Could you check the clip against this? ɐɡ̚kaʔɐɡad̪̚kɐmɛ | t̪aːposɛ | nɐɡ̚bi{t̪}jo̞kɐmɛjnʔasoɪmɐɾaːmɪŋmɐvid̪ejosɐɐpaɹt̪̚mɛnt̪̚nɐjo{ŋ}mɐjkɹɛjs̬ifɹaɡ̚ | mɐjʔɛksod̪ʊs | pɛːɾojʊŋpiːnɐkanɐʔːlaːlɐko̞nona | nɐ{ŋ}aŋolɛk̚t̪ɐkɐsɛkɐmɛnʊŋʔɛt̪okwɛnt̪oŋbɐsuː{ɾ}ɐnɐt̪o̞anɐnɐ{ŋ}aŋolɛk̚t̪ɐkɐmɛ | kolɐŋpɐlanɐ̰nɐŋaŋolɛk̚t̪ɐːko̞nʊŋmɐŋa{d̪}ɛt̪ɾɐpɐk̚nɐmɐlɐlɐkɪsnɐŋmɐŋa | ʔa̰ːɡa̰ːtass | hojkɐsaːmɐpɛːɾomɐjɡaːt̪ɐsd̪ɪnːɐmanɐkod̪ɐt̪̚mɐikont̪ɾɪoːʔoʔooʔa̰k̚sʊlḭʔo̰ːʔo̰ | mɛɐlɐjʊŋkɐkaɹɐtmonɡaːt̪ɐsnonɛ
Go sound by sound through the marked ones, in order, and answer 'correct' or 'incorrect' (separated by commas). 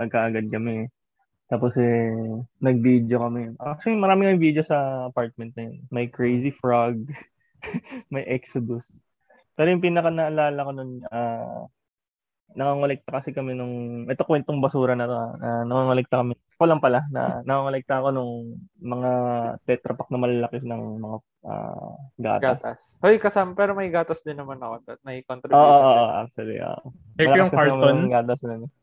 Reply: incorrect, incorrect, correct, correct, correct, incorrect